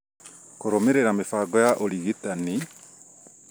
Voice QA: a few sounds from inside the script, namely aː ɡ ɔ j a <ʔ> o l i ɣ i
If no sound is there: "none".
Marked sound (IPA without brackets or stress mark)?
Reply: ʔ